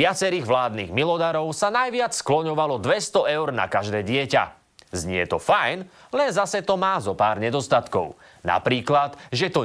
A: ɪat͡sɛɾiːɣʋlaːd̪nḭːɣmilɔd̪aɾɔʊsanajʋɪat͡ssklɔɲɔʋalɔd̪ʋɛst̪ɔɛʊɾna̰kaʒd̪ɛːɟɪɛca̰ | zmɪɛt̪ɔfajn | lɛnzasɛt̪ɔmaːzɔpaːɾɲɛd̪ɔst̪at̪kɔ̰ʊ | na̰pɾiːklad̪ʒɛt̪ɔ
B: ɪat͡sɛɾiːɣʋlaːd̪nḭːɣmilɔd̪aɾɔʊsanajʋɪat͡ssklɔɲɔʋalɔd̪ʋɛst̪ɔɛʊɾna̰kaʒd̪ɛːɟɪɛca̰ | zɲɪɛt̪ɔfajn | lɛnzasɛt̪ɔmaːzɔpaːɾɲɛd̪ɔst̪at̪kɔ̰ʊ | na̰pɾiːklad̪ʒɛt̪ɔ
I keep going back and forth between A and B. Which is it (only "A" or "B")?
B